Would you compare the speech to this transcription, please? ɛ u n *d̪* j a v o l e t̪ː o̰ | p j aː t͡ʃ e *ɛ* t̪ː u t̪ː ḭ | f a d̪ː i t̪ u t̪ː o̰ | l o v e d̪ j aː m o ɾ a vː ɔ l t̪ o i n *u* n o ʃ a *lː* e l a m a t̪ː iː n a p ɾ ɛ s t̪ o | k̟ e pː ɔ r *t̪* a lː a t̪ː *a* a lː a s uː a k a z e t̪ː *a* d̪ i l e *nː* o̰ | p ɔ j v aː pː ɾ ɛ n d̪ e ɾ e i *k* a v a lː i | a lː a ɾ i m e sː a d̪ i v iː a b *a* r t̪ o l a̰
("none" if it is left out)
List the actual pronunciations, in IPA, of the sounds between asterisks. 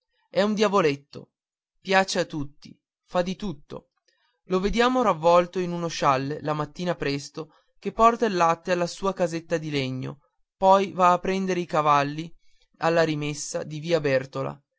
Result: d̪, a, u, lː, t̪, e, a, ɲː, k, ɛ

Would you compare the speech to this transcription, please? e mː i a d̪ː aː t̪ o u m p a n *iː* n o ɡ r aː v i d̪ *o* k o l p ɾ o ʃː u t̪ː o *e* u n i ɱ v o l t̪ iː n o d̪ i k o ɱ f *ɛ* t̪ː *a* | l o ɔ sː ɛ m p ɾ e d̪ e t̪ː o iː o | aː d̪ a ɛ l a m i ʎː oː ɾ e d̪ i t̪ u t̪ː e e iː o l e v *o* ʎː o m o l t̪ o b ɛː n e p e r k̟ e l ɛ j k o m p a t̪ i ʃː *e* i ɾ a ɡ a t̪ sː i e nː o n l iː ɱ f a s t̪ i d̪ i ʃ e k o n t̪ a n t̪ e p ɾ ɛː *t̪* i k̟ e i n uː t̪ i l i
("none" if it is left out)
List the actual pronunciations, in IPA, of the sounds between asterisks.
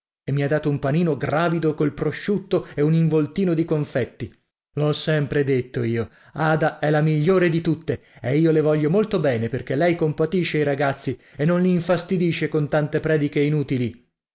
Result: iː, o, e, ɛ, i, ɔ, e, d̪

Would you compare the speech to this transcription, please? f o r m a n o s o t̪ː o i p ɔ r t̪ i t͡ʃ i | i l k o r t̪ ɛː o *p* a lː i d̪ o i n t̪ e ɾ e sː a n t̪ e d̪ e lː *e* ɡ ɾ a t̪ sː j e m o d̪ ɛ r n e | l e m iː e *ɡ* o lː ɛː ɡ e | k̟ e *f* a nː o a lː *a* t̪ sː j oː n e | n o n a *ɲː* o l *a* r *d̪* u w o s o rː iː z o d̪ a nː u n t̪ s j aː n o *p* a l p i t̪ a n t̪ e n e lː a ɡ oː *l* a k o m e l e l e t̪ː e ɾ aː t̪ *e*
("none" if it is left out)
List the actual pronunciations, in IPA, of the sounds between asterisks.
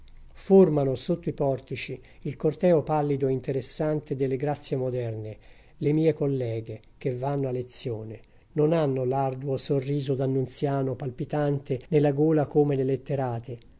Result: p, e, k, v, e, nː, a, d̪, p, l, e

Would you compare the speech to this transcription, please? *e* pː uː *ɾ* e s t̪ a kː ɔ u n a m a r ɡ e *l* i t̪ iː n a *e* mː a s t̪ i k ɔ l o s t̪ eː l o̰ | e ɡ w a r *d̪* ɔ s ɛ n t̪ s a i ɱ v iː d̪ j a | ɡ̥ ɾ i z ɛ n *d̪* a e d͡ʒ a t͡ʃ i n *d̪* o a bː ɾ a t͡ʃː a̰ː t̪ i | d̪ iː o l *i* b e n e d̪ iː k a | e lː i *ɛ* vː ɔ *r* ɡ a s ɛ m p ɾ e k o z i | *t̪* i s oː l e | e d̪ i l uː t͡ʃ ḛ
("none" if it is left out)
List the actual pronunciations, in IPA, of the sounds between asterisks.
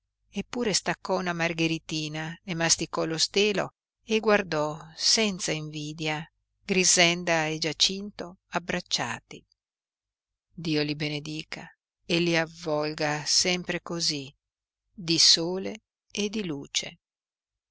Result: e, ɾ, ɾ, e, d̪, d̪, t̪, i, a, l, d̪

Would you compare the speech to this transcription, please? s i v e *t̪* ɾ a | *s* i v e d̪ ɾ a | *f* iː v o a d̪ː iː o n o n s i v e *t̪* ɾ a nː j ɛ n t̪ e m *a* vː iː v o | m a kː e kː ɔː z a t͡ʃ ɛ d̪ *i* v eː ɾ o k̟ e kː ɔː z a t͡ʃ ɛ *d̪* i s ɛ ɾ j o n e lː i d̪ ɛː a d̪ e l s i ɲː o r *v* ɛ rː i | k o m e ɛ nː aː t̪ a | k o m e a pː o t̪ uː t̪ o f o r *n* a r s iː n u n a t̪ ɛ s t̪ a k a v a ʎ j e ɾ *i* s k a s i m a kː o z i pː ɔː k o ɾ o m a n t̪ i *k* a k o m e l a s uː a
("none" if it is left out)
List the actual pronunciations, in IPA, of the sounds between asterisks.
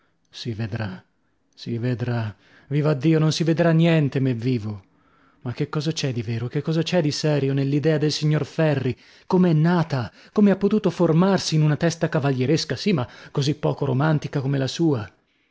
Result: d̪, s, v, d̪, e, i, d̪, f, m, e, k

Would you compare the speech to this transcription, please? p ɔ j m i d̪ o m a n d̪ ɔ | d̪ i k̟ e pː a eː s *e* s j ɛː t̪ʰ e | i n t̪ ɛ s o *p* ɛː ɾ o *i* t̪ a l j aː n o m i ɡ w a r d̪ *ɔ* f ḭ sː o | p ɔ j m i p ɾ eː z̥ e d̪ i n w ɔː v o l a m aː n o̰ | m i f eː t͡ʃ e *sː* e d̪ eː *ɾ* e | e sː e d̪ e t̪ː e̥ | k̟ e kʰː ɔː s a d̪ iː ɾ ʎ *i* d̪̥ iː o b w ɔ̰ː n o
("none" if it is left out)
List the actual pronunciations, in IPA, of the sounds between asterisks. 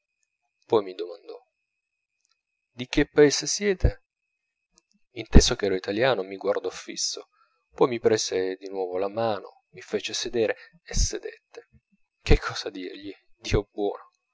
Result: e, k, i, ɔ, s, ɾ, i

